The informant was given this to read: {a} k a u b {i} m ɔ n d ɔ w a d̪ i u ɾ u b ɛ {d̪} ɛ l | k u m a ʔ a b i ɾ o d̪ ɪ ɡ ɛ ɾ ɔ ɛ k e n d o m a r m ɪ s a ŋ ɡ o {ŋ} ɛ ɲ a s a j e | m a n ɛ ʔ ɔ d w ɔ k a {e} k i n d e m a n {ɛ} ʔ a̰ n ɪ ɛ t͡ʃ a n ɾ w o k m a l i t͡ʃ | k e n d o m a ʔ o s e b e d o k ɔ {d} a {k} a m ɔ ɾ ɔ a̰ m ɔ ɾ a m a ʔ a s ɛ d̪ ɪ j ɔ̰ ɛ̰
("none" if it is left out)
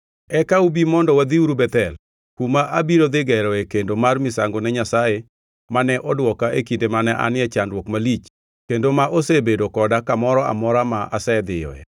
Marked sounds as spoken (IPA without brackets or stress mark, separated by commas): ɛ, i, t̪, n, e, ɛ, d, k